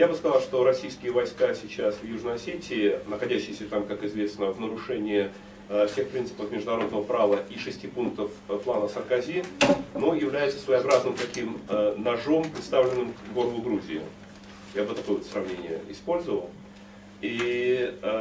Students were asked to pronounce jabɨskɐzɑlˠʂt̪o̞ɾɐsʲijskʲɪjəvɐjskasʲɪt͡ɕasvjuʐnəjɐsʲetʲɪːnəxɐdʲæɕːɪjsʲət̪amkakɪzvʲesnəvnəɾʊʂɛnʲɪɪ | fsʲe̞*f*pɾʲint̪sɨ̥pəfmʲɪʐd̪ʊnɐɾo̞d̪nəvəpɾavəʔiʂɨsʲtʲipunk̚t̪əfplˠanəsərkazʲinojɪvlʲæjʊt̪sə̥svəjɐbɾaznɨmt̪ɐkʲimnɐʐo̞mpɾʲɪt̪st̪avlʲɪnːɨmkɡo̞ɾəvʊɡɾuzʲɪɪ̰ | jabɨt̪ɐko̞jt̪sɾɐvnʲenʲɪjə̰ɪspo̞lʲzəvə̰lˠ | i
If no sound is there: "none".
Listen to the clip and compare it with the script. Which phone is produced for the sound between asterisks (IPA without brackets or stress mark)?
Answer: x